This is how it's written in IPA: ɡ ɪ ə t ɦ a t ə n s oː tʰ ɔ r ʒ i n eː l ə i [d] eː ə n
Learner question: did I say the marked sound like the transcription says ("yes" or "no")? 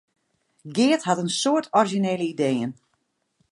yes